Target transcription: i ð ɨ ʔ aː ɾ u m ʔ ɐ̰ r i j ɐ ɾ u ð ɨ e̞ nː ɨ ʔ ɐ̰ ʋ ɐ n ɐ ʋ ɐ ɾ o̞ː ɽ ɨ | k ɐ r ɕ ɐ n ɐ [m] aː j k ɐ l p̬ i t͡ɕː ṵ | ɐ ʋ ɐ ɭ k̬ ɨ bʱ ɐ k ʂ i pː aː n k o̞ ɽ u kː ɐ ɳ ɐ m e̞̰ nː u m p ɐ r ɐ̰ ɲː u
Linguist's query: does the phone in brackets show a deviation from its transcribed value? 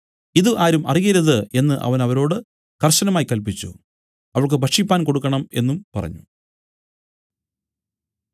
no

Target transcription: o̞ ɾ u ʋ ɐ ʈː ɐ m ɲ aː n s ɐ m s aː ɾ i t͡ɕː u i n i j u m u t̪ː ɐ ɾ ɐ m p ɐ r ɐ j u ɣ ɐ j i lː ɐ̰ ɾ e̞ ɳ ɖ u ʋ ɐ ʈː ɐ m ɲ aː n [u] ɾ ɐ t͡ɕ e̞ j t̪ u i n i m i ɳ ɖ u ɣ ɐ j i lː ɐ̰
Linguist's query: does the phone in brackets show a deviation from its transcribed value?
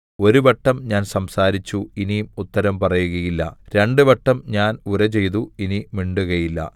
no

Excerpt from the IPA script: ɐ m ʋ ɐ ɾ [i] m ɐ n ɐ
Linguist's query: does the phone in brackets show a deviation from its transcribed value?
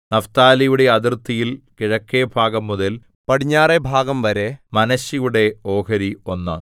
yes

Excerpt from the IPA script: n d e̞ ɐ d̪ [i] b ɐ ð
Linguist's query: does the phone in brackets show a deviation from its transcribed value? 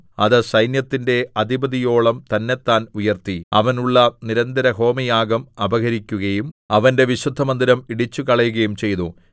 no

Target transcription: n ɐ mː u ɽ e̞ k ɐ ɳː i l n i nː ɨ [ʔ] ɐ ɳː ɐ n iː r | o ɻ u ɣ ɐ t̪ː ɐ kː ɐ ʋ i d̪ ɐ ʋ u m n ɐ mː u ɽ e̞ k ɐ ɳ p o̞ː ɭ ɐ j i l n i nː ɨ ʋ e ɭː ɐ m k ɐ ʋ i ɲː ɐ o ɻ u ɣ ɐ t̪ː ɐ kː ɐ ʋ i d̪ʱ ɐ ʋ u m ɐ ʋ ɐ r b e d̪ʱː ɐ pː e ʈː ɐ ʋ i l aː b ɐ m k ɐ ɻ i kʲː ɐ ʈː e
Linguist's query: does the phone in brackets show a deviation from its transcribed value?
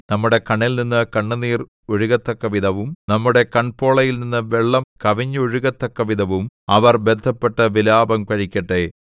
yes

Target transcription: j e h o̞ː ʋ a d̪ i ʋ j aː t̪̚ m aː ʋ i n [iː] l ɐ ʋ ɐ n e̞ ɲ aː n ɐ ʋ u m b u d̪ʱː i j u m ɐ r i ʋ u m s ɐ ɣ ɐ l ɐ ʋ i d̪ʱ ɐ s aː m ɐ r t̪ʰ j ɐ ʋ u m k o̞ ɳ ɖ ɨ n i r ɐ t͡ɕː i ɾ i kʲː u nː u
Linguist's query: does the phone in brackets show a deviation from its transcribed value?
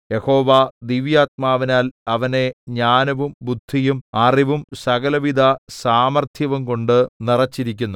yes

